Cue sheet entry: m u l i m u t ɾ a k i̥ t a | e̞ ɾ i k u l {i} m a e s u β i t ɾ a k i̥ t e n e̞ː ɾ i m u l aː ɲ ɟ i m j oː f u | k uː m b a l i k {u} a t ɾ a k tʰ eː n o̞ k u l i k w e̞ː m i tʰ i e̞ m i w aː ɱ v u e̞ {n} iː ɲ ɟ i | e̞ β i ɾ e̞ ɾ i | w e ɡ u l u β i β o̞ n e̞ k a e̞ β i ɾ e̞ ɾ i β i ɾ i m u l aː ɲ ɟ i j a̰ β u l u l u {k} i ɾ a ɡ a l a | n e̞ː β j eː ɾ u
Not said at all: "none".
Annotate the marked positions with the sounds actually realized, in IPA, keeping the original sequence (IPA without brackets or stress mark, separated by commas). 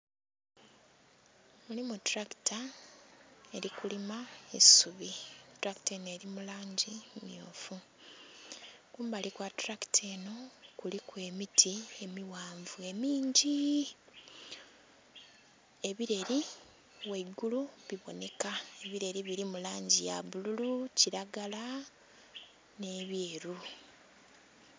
i, w, m, c